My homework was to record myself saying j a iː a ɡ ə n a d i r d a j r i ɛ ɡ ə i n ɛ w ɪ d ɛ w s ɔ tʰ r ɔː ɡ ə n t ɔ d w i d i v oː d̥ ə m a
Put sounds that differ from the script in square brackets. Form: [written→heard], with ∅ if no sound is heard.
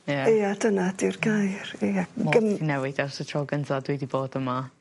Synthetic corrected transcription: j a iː a [ɡ→d] ə n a d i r [d→ɡ] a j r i [ɛ→a] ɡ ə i n ɛ w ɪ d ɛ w s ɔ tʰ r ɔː ɡ ə n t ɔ d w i d i [v→b] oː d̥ ə m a